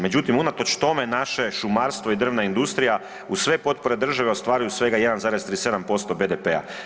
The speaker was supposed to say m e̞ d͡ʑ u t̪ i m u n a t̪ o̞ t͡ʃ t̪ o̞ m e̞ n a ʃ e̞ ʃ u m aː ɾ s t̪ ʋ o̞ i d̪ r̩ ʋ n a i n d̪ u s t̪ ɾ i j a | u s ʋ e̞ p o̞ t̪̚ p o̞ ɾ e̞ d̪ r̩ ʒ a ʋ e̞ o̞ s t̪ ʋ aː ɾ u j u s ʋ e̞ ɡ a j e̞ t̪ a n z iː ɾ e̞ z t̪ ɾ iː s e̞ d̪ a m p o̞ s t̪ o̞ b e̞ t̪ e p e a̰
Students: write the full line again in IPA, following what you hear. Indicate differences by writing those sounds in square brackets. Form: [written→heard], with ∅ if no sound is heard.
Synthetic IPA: m e̞ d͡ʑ u t̪ i m u n a t̪ o̞ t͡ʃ t̪ o̞ m e̞ n a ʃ e̞ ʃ u m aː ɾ s t̪ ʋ o̞ i d̪ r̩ ʋ n a i n d̪ u s t̪ ɾ i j a | u s ʋ e̞ p o̞ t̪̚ p o̞ ɾ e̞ d̪ r̩ ʒ a ʋ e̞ o̞ s t̪ ʋ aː ɾ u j u s ʋ e̞ ɡ a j e̞ [t̪→d̪] a n z [iː→aː] ɾ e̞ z t̪ ɾ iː s e̞ d̪ a m p o̞ s t̪ o̞ b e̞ [t̪→d̪] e p e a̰